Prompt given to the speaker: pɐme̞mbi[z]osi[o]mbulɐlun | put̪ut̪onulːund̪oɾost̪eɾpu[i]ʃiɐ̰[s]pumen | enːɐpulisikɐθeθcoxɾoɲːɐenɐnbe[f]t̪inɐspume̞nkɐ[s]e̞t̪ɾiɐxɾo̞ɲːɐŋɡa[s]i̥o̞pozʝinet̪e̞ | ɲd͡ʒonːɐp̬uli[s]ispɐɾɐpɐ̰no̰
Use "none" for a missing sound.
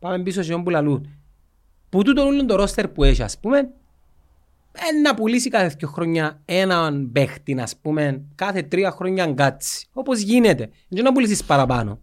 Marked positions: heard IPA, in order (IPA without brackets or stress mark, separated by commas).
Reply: s, o, e, s, x, θ, t͡s, s